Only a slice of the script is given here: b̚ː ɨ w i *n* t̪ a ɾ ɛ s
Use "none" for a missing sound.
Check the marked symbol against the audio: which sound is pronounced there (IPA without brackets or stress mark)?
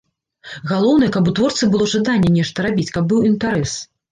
n